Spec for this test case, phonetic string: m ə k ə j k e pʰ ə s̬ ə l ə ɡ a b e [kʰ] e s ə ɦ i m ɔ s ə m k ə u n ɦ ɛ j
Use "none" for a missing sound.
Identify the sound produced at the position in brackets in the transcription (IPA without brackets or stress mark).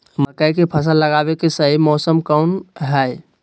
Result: k